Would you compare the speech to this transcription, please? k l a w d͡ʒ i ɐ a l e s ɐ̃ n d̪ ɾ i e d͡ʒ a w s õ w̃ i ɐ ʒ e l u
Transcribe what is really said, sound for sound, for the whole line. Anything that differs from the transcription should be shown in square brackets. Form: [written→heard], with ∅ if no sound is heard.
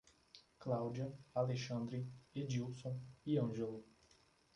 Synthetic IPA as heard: k l a w d͡ʒ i ɐ a l e [s→ʃ] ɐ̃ n d̪ ɾ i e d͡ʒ [a→i] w s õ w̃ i [ɐ→ɐ̃] ʒ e l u